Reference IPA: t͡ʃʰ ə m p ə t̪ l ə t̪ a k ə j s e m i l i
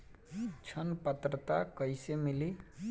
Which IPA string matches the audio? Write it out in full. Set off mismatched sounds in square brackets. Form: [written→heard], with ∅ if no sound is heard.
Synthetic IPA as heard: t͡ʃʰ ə [m→n] p ə t̪ [l→ɾ] ə t̪ a k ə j s e m i l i